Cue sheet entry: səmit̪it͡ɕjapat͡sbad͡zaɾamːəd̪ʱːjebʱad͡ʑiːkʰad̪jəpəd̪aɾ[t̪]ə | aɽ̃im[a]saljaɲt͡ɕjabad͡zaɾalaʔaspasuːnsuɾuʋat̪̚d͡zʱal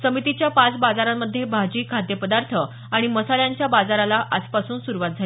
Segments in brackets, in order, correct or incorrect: incorrect, incorrect

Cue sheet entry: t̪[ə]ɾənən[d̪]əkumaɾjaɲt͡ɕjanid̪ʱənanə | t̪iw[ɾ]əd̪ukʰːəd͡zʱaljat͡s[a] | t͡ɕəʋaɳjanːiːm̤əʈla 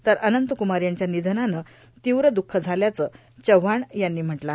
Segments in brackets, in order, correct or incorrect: correct, incorrect, correct, incorrect

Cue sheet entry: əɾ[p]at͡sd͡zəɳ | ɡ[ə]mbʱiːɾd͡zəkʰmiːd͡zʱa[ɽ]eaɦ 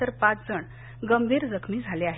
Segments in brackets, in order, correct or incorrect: correct, correct, incorrect

